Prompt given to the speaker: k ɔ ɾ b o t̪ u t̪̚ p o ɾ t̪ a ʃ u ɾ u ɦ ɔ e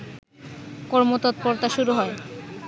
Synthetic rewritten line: k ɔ ɾ m o t̪ ɔ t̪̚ p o ɾ t̪ a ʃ u ɾ u ɦ ɔ e